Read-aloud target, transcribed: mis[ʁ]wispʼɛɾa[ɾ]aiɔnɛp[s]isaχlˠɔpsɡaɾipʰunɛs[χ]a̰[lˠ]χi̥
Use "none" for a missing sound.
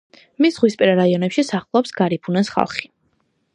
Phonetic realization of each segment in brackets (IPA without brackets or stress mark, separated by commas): ʁ, ɾ, ʃ, χ, lˠ